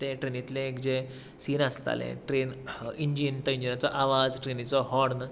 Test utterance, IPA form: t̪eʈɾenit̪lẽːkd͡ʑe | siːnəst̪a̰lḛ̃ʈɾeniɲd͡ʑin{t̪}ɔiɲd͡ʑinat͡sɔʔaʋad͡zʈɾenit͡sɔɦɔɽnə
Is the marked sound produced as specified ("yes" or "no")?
yes